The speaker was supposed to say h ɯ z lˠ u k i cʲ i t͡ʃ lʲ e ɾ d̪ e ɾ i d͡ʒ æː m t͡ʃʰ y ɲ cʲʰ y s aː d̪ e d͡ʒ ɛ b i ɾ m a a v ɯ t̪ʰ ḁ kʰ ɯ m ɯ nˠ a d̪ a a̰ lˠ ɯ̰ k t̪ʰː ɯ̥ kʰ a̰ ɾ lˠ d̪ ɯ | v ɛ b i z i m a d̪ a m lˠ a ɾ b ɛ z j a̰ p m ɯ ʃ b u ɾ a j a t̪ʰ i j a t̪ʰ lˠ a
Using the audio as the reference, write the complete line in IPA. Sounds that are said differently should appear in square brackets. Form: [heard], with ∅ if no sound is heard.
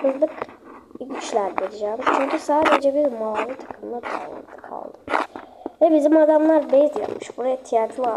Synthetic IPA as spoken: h ɯ z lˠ [ɯ] k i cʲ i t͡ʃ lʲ [æ] ɾ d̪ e ɾ i d͡ʒ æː m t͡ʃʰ y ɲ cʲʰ y s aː d̪ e d͡ʒ ɛ b i ɾ m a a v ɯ t̪ʰ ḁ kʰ ɯ m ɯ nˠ a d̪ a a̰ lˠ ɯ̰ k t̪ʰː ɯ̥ kʰ a̰ [∅] lˠ d̪ ɯ | v ɛ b i z i m a d̪ a m lˠ a ɾ b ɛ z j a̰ p m ɯ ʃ b u ɾ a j a t̪ʰ i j a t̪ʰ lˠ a

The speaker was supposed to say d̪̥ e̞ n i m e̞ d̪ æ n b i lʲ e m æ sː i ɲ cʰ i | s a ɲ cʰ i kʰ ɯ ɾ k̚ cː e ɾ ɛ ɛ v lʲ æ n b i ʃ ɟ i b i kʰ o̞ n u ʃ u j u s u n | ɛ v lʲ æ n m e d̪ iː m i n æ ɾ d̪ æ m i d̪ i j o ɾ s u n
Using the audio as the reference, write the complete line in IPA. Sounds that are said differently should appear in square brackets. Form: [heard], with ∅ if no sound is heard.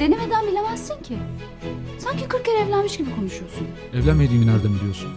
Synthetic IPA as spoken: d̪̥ e̞ n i m e̞ d̪ æ n b i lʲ e m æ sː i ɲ cʰ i | s a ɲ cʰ i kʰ ɯ ɾ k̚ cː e ɾ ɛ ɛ v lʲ æ n [m] i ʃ ɟ i b i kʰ o̞ n u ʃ u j [o] s u n | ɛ v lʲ æ n m e d̪ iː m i n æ ɾ d̪ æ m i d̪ i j o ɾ s u n

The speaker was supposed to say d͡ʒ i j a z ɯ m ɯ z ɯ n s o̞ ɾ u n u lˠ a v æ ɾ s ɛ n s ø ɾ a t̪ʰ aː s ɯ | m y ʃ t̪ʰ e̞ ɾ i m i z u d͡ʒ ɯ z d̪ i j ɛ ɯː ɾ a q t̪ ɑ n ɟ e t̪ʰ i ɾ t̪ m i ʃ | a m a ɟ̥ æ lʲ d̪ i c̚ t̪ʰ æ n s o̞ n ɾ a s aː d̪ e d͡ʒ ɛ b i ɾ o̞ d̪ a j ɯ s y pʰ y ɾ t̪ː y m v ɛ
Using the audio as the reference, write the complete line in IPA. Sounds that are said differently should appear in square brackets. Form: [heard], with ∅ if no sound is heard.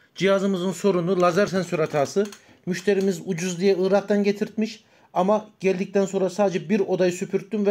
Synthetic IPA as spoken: d͡ʒ i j a z ɯ m ɯ z ɯ n s o̞ ɾ u n u lˠ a [z] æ ɾ s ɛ n s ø ɾ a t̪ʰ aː s ɯ | m y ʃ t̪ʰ e̞ ɾ i m i z u d͡ʒ [u] z d̪ i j ɛ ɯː ɾ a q t̪ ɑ n ɟ e t̪ʰ i ɾ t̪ m i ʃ | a m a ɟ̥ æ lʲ d̪ i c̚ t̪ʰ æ n s o̞ n ɾ a s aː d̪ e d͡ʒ ɛ b i ɾ o̞ d̪ a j ɯ s y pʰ y ɾ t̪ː y m v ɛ

